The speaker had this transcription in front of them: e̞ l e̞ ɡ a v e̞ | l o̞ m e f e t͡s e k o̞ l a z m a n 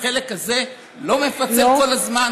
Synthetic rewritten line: e̞ l e̞ k a z e̞ | l o̞ m e f a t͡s e k o̞ l a z m a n